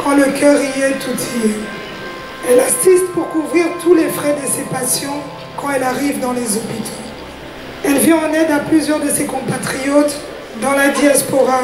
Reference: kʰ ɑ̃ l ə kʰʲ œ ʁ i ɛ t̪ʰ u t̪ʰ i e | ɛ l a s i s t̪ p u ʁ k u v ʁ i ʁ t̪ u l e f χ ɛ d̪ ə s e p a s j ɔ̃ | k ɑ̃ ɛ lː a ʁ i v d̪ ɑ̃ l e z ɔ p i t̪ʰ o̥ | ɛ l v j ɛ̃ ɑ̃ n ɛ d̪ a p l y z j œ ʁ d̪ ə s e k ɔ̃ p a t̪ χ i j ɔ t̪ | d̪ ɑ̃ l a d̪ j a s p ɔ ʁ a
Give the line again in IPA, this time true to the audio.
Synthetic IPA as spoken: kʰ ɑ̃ l ə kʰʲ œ ʁ i ɛ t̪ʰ u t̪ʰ i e | ɛ l a s i s t̪ p u ʁ k u v ʁ i ʁ t̪ u l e f χ ɛ d̪ ə s e p a s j ɔ̃ | k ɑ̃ ɛ l a ʁ i v d̪ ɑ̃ l e z ɔ p i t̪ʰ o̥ | ɛ l v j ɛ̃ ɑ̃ n ɛ d̪ a p l y z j œ ʁ d̪ ə s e k ɔ̃ p a t̪ χ i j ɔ t̪ | d̪ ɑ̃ l a d̪ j a s p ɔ ʁ a